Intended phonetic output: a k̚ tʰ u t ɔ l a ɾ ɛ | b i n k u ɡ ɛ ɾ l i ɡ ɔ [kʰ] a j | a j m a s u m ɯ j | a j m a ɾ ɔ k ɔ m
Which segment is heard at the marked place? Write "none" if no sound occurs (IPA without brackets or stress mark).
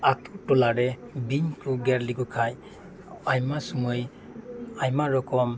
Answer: kʰ